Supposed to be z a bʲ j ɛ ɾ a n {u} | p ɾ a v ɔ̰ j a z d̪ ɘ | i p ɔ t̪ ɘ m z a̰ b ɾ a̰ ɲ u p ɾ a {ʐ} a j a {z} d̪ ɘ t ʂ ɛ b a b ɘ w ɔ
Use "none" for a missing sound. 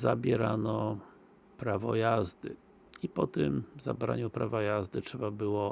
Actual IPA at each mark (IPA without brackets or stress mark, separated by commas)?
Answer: ɔ, v, z